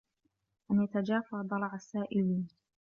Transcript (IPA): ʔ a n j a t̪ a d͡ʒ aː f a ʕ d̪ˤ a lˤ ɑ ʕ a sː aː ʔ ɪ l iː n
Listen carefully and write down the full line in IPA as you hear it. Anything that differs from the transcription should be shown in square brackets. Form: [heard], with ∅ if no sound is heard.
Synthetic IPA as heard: ʔ a n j a t̪ a d͡ʒ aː f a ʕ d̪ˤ [ɑ] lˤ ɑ ʕ a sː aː ʔ ɪ l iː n